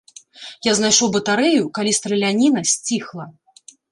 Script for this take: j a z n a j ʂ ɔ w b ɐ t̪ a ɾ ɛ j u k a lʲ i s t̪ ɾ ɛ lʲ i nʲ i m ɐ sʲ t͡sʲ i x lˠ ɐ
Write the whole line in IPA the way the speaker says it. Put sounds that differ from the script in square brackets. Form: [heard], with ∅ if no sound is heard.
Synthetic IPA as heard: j a z n a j ʂ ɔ w b ɐ t̪ a ɾ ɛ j u k a lʲ i s t̪ ɾ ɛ lʲ [a] nʲ i [n] ɐ sʲ t͡sʲ i x lˠ ɐ